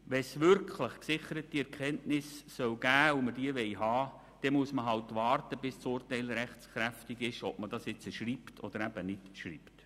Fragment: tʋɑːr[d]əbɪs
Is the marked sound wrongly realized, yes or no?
yes